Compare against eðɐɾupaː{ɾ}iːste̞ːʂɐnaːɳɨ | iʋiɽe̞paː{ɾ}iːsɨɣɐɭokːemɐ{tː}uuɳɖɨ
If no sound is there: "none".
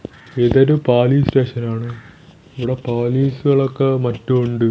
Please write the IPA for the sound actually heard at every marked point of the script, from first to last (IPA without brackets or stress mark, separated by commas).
l, l, tː